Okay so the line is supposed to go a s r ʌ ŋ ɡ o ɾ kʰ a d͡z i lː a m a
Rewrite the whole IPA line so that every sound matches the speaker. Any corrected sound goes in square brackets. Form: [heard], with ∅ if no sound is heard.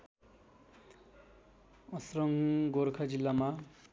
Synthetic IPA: [ʌ] s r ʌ ŋ ɡ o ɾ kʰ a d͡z i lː a m a